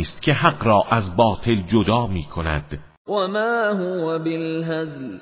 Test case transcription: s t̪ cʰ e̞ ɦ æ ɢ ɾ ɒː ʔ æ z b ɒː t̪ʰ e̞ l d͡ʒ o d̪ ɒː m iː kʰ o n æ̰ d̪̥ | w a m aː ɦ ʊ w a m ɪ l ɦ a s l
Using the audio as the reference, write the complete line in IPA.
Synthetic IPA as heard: s t̪ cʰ e̞ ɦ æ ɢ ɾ ɒː ʔ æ z b ɒː t̪ʰ e̞ l d͡ʒ o d̪ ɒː m iː kʰ o n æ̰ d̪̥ | w a m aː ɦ ʊ w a b ɪ l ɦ a z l